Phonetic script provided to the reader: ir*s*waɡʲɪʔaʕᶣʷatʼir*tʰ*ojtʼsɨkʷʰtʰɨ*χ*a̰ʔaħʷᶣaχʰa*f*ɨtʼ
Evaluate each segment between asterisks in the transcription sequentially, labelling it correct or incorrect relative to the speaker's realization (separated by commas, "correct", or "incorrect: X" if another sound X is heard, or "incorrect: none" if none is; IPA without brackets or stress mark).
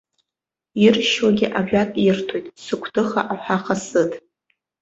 incorrect: ʃ, correct, correct, incorrect: s